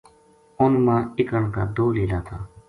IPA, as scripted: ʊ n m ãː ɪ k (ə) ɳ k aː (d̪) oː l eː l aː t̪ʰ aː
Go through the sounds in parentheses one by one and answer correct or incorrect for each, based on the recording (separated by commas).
correct, correct